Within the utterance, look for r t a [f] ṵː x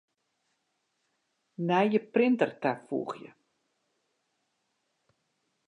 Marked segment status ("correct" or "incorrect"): correct